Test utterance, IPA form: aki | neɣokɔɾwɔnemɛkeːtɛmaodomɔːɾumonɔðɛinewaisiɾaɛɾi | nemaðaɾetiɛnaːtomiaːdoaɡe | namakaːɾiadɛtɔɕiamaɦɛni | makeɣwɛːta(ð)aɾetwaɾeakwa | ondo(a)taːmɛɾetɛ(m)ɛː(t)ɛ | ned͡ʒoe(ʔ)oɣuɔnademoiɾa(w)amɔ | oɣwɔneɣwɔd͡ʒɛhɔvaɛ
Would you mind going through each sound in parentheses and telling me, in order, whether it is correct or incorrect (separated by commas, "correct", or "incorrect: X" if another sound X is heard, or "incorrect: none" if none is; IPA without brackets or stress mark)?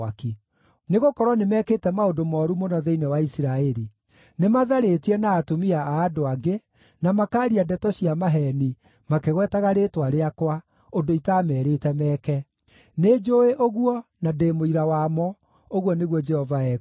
incorrect: ɣ, incorrect: i, correct, incorrect: k, correct, correct